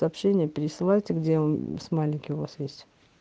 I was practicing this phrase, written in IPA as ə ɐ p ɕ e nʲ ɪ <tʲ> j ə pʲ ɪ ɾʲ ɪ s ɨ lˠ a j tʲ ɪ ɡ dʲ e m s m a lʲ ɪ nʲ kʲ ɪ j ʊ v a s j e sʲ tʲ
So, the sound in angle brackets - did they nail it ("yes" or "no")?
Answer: no